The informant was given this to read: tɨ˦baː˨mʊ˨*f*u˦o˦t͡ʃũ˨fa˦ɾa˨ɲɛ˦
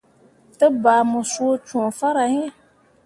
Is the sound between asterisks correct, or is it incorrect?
incorrect